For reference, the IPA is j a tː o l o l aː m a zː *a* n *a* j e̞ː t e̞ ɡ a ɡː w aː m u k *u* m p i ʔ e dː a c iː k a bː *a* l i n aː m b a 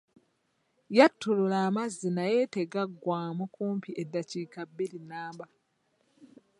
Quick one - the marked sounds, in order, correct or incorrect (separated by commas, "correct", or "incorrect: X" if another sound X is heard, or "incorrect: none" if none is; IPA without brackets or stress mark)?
incorrect: i, correct, incorrect: uː, incorrect: i